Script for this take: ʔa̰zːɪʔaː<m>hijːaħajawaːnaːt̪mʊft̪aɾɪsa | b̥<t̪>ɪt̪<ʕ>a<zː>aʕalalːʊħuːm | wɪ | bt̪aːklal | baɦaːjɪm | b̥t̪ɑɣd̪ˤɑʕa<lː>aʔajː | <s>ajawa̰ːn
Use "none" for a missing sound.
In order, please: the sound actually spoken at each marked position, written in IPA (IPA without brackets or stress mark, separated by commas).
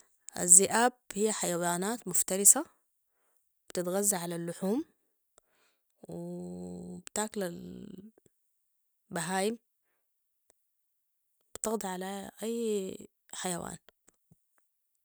b, t̪, ɣ, zː, l, ħ